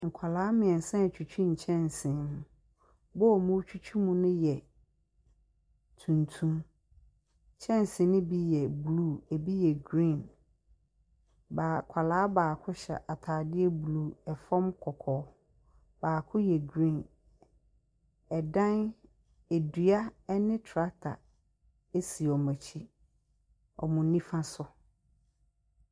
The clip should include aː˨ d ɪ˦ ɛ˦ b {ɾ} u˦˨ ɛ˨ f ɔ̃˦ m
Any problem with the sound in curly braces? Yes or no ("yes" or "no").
yes